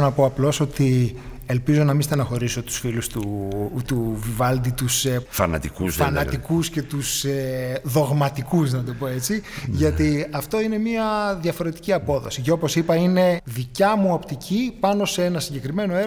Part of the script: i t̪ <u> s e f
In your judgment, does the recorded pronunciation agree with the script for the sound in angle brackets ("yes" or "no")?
yes